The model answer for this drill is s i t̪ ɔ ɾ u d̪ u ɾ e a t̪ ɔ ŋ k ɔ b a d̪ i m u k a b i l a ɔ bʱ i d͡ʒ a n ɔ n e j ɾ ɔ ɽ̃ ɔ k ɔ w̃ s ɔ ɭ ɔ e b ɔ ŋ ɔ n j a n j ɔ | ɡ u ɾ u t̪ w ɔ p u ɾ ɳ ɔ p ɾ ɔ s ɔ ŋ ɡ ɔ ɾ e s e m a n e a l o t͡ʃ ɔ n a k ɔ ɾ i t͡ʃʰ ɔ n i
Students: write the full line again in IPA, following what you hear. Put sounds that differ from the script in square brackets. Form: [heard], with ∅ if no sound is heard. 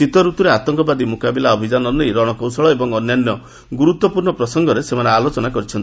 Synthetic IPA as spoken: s i t̪ ɔ ɾ u [t̪] u ɾ e a t̪ ɔ ŋ k ɔ b a d̪ i m u k a b i l a ɔ bʱ i d͡ʒ a n ɔ n e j ɾ ɔ ɽ̃ ɔ k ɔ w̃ s ɔ ɭ ɔ e b ɔ ŋ ɔ n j a n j ɔ | ɡ u ɾ u t̪ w ɔ p u ɾ ɳ ɔ p ɾ ɔ s ɔ ŋ ɡ ɔ ɾ e s e m a n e a l o t͡ʃ ɔ n a k ɔ ɾ i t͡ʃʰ ɔ n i